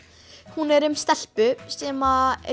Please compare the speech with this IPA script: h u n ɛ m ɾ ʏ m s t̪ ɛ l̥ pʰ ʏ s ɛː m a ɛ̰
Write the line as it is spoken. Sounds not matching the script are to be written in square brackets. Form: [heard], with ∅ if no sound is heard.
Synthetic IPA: h u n ɛ [∅] ɾ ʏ m s t̪ ɛ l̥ [p] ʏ s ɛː m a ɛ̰